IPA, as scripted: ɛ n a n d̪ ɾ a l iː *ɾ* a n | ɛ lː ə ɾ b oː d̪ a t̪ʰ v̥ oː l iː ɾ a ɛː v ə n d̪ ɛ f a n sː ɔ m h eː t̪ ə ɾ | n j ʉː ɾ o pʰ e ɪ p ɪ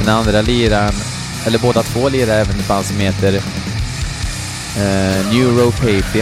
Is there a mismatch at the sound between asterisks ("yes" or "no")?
no